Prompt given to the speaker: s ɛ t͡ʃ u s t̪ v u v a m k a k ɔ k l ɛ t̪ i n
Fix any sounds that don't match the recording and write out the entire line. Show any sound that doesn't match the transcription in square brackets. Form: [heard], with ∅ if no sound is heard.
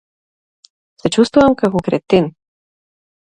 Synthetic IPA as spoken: s ɛ t͡ʃ u s t̪ v u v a m k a k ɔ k [ɾ] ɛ t̪ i n